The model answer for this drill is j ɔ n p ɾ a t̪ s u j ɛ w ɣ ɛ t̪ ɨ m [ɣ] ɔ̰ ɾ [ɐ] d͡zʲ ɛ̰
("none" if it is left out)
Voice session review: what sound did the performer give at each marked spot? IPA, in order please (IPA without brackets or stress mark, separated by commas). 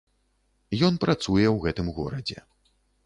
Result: ɣ, ɐ